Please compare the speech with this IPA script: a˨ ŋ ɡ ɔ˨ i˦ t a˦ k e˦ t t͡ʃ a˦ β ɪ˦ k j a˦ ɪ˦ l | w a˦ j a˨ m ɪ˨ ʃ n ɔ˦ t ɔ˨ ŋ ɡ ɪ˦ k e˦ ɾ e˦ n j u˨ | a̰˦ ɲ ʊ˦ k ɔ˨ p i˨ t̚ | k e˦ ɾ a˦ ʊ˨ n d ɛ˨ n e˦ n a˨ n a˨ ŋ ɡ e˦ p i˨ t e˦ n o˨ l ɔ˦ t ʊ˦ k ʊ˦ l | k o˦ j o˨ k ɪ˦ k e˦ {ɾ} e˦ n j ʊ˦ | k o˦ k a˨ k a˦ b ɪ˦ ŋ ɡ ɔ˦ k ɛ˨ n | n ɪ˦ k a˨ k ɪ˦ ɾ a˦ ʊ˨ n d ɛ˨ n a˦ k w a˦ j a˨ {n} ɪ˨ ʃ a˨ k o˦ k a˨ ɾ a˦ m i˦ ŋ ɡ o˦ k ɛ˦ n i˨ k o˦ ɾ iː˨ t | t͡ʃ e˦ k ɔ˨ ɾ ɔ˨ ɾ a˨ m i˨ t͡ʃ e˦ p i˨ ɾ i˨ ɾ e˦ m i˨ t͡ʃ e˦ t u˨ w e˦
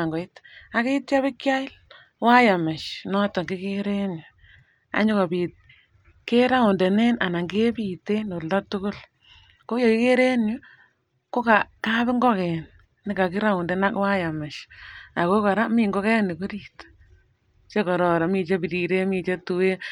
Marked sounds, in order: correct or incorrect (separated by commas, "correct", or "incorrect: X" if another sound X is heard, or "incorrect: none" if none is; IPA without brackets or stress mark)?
correct, incorrect: m